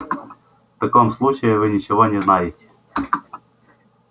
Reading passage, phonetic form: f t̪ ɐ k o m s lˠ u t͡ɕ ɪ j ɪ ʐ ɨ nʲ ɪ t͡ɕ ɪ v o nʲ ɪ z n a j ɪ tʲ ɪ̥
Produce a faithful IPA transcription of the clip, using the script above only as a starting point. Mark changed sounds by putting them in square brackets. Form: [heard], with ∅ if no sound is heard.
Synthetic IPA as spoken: f t̪ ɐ k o m s lˠ u t͡ɕ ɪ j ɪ [v] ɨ nʲ ɪ t͡ɕ ɪ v o nʲ ɪ z n a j ɪ tʲ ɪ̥